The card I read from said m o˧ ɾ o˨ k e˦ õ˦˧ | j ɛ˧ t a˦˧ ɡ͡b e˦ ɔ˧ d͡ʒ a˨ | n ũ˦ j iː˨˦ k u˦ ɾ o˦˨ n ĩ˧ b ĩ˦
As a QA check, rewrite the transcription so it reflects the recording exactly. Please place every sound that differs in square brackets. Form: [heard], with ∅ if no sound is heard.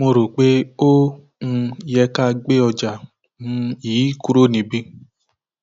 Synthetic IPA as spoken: m o˧ ɾ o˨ [k͡p] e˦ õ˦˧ | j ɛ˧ [k] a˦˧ ɡ͡b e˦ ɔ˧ d͡ʒ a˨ | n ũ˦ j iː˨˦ k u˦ ɾ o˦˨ n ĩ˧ b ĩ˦

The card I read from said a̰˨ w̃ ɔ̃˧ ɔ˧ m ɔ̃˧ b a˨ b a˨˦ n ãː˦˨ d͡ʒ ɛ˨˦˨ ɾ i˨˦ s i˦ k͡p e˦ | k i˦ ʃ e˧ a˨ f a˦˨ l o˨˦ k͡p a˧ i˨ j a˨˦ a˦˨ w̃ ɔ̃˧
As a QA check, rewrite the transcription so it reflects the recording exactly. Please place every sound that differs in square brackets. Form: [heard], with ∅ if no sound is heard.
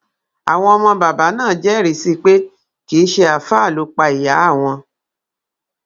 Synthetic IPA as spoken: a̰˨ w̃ ɔ̃˧ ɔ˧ m ɔ̃˧ b a˨ b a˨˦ n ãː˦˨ d͡ʒ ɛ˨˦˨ ɾ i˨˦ s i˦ k͡p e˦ | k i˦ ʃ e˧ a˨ f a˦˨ l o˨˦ k͡p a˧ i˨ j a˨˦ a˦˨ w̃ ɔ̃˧

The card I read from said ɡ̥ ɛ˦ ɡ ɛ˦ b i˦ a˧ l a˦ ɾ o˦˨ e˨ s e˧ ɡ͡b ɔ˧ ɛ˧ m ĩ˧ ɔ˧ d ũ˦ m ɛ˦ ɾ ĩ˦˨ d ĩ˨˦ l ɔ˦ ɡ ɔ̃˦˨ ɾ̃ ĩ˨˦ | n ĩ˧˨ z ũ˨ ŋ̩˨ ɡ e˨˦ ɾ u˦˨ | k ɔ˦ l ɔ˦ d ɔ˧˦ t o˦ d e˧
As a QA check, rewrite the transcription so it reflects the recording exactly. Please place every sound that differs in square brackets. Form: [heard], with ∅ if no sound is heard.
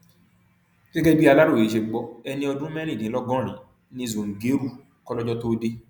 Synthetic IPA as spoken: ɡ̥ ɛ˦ ɡ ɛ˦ b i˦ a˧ l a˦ ɾ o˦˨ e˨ [ʃ] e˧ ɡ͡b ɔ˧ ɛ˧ [n] ĩ˧ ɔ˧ d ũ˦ m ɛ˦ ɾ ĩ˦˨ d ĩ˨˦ l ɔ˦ ɡ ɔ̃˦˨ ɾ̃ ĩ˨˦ | n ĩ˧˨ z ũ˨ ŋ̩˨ ɡ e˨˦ ɾ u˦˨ | k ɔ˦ l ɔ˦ [d͡ʒ] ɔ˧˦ t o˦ d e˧

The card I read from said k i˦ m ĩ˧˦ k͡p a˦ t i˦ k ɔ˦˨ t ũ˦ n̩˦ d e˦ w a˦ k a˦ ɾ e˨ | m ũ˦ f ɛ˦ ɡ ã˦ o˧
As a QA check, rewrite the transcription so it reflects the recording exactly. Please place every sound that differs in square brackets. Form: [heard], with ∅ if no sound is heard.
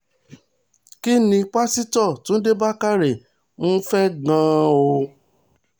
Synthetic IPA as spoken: k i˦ [n] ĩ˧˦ k͡p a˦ [s] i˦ [t] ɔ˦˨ t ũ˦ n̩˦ d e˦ [b] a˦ k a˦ ɾ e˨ | m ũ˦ f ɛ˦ ɡ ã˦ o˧

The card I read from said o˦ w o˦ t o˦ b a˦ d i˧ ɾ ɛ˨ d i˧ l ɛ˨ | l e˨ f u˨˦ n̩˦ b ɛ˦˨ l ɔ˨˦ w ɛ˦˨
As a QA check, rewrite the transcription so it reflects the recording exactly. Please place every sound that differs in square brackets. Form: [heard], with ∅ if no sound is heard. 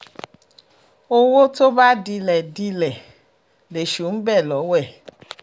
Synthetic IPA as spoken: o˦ w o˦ t o˦ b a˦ d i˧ [l] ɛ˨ d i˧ l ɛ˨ | l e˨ [ʃ] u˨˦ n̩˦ b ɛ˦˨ l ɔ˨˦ w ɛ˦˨

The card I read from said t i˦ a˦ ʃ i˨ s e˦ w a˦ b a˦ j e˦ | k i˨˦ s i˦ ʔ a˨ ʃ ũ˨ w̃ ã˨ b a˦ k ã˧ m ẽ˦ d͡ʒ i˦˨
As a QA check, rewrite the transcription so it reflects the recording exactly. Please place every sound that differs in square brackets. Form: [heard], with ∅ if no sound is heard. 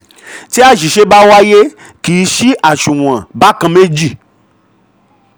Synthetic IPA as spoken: t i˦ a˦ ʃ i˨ [ʃ] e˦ [b] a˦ [w] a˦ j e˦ | k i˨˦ [ʃ] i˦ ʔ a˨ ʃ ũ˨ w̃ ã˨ b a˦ k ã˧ m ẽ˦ d͡ʒ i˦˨

